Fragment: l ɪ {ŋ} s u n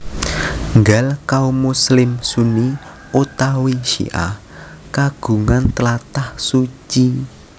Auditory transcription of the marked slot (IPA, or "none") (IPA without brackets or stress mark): m